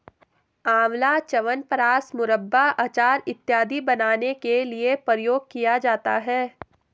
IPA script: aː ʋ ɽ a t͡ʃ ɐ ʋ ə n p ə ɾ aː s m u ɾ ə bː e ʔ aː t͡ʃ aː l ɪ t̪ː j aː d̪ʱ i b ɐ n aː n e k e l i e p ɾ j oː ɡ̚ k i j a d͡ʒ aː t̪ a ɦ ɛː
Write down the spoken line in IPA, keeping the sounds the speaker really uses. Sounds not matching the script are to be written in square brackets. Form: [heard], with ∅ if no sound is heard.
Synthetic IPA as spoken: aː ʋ [l] a t͡ʃ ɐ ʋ ə n p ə ɾ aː s m [ʊ] ɾ ə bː [a] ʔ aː t͡ʃ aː [ɾ] ɪ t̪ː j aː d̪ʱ i b ɐ n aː n e k e l i e p ɾ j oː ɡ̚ k i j a d͡ʒ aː t̪ a ɦ ɛː